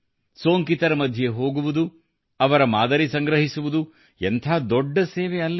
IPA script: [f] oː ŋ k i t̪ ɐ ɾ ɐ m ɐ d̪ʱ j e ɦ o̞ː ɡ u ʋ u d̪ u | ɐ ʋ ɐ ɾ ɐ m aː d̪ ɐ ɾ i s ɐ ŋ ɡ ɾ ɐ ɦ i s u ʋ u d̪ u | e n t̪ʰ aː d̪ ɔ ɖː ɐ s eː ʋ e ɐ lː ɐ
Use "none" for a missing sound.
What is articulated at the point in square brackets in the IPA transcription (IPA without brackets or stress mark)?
s